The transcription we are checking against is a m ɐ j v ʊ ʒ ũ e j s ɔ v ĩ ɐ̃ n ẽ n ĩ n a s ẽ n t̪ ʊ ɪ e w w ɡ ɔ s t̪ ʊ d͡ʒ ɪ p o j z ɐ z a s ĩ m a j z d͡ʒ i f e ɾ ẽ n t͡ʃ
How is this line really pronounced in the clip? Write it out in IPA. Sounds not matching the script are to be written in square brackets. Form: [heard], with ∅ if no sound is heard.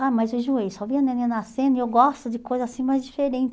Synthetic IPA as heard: a m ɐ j [z] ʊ ʒ [u] e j s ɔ v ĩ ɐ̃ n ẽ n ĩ n a s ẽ n [d̪] ʊ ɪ e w w ɡ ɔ s t̪ ʊ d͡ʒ ɪ [k] o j z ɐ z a s ĩ m a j z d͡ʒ i f e ɾ ẽ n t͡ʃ